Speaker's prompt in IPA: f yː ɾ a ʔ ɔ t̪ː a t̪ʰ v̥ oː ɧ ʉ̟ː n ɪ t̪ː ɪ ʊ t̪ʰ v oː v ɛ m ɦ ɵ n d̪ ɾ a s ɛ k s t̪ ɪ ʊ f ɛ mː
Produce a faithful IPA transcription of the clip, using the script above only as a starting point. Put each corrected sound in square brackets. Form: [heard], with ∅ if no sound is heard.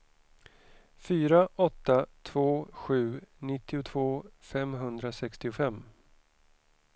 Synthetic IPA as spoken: f yː ɾ a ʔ ɔ t̪ː a t̪ʰ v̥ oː ɧ ʉ̟ː n ɪ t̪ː ɪ ʊ t̪ʰ v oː [f] ɛ m ɦ ɵ n d̪ ɾ a s ɛ k s t̪ ɪ ʊ f ɛ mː